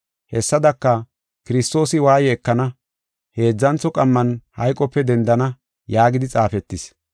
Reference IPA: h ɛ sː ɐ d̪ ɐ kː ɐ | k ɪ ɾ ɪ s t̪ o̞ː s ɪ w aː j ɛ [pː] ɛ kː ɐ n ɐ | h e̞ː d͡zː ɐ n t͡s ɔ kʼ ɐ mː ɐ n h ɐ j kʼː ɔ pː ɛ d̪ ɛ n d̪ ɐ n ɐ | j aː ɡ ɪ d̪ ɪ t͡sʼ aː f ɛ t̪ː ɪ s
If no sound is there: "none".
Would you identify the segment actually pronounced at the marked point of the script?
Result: none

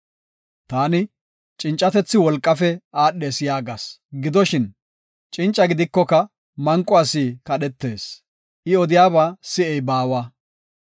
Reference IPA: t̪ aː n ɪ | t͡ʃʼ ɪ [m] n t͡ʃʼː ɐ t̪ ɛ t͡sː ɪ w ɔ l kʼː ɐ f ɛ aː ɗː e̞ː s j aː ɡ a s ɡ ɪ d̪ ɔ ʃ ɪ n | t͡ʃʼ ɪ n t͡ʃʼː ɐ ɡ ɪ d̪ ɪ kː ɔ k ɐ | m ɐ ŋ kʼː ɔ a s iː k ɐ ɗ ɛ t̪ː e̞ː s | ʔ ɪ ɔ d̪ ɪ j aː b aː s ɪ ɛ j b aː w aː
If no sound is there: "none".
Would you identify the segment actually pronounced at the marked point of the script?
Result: none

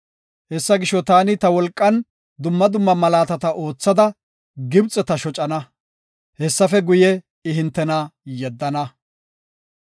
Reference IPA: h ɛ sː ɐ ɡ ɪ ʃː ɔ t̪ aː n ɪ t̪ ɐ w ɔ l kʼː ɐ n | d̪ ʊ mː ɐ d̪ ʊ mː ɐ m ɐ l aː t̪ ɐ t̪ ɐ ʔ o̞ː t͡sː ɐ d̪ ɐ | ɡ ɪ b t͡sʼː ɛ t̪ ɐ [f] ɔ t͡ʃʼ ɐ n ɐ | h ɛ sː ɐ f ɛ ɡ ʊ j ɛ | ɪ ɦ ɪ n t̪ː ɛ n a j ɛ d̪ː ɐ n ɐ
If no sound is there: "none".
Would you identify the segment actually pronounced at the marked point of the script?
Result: ʃ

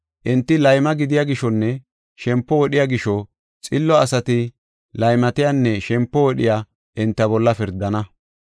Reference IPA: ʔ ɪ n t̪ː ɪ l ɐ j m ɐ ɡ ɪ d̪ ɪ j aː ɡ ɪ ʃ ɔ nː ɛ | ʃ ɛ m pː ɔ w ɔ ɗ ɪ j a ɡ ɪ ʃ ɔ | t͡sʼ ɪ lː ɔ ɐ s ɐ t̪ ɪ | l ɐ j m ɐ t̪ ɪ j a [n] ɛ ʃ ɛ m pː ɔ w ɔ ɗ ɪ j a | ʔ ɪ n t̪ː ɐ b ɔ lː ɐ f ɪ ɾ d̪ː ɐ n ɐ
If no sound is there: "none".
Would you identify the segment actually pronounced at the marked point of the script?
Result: nː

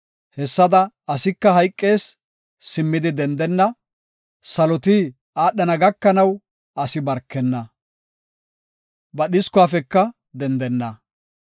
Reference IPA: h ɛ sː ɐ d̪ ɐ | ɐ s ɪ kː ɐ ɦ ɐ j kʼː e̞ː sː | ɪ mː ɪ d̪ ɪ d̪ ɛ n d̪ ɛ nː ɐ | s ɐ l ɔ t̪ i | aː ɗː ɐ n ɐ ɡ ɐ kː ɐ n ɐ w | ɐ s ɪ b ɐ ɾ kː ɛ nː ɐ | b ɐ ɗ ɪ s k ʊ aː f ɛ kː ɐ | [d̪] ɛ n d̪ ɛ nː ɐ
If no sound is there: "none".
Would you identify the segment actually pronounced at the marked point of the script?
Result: d̪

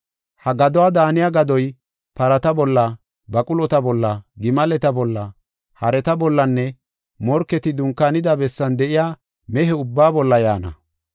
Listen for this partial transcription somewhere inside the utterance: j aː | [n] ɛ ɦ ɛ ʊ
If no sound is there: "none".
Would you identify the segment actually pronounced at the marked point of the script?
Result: m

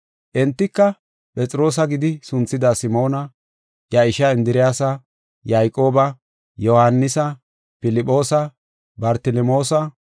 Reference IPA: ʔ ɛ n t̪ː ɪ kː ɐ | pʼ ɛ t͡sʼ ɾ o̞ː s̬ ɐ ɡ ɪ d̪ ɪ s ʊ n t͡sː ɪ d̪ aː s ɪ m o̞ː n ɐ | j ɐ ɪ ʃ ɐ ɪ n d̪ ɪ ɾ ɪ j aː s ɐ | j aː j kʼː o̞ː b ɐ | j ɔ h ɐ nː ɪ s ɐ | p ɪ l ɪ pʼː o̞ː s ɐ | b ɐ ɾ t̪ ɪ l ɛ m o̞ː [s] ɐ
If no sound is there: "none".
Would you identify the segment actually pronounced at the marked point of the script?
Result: s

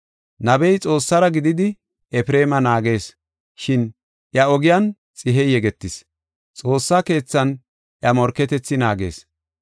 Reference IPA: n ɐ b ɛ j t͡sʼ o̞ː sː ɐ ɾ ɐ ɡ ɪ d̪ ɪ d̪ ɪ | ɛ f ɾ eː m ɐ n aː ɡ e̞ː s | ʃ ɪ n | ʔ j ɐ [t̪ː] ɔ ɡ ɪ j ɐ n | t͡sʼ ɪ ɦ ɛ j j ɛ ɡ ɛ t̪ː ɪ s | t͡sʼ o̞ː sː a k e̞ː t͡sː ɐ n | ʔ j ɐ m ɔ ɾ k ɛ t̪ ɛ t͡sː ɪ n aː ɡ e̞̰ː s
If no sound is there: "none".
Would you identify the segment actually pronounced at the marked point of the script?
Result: none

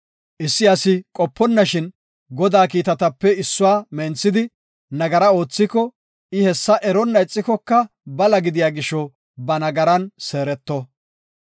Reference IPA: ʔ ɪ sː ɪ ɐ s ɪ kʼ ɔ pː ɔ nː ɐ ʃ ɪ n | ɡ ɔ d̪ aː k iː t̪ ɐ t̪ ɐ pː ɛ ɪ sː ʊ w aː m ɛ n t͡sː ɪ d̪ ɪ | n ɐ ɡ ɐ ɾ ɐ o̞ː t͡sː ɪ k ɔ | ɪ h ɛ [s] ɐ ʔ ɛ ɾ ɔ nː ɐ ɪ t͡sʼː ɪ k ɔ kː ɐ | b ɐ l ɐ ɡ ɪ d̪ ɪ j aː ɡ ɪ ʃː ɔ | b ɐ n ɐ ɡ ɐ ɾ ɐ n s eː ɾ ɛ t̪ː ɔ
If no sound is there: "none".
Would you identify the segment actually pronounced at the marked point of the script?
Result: sː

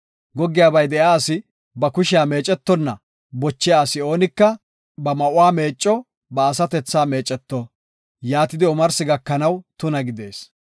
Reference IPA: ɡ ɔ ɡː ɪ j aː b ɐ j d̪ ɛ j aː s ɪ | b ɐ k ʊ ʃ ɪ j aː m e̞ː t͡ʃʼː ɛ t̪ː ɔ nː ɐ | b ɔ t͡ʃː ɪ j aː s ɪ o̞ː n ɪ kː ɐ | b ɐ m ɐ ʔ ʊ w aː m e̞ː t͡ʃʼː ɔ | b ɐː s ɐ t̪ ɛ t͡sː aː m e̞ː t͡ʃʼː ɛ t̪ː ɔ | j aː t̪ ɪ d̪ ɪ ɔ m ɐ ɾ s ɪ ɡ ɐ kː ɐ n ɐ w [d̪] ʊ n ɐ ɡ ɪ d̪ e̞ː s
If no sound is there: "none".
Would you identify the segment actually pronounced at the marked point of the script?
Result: t̪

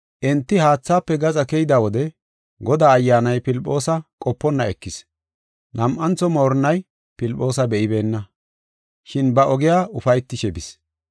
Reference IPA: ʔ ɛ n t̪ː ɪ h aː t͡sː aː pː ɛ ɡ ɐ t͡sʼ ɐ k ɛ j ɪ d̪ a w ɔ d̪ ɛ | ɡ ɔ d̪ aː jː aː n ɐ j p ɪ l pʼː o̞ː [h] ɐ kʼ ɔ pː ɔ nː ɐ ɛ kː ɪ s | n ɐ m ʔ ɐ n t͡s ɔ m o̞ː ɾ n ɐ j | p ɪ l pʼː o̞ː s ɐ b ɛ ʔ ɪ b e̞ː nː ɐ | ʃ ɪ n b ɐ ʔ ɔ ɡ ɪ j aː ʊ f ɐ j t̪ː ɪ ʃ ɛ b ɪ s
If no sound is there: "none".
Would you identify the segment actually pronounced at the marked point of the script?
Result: s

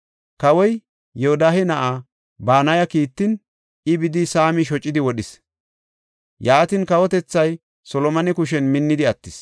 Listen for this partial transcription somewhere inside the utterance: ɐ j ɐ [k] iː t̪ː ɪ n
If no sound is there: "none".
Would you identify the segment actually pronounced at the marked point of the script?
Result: k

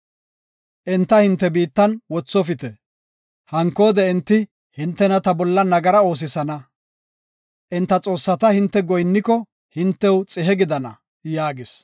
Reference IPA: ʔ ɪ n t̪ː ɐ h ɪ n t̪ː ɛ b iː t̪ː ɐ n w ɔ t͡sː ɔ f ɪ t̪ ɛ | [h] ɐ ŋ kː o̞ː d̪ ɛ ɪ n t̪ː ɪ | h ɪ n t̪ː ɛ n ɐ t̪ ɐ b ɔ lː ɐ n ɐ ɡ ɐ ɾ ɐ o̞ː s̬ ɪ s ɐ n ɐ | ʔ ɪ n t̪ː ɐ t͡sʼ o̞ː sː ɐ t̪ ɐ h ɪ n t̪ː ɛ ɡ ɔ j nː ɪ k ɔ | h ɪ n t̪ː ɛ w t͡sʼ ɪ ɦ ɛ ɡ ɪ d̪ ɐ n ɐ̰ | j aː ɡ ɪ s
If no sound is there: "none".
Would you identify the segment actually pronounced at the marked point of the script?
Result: h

